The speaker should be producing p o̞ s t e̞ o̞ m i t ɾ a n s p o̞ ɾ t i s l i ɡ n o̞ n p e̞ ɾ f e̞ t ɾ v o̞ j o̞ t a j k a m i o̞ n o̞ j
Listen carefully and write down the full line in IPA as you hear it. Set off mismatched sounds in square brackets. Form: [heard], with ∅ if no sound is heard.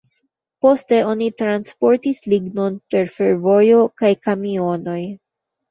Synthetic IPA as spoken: p o̞ s t e̞ o̞ [n] i t ɾ a n s p o̞ ɾ t i s l i ɡ n o̞ n p e̞ ɾ f e̞ [∅] ɾ v o̞ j o̞ [k] a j k a m i o̞ n o̞ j